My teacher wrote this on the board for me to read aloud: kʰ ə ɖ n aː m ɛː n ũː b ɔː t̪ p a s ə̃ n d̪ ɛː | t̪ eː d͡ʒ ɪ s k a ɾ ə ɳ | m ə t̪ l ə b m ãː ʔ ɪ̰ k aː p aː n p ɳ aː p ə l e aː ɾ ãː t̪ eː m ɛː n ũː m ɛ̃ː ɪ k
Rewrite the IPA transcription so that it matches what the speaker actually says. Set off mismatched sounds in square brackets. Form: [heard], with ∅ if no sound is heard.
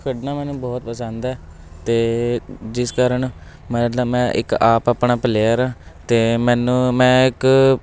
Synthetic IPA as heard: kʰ ə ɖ n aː m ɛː n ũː b ɔː t̪ p [ə] s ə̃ n d̪ ɛː | t̪ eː d͡ʒ ɪ s k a ɾ ə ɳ | m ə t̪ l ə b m [ɛ̃ː] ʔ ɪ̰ k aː p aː [∅] p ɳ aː p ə l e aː ɾ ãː t̪ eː m ɛː n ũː m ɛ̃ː ɪ k